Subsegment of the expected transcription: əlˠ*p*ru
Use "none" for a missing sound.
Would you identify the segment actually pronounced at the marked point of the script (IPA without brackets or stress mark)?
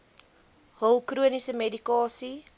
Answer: k